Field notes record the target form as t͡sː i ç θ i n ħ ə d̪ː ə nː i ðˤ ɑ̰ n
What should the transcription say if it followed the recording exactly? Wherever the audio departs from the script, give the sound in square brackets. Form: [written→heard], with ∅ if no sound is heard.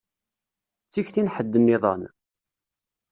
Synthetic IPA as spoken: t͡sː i ç θ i n ħ ə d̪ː ə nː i ðˤ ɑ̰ n